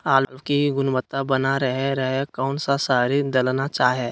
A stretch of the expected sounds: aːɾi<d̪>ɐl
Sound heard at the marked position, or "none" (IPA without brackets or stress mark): d̪